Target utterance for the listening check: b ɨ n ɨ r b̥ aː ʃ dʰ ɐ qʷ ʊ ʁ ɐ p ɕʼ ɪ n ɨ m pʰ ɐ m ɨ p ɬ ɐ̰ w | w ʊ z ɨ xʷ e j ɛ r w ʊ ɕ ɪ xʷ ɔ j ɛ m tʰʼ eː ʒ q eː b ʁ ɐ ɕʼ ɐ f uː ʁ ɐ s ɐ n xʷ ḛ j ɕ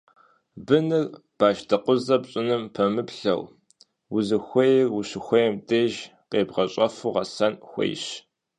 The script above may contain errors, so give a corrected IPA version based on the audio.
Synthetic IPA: b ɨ n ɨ r b̥ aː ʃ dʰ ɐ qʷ ʊ z ɐ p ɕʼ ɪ n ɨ m pʰ ɐ m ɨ p ɬ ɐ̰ w | w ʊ z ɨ xʷ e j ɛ r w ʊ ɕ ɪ xʷ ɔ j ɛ m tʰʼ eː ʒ q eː b ʁ ɐ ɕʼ ɐ f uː ʁ ɐ s ɐ n xʷ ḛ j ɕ